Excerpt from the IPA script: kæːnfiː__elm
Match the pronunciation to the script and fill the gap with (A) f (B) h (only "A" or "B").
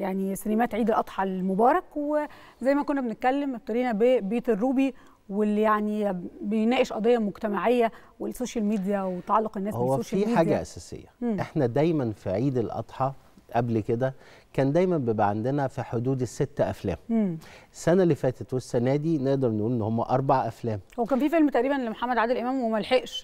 A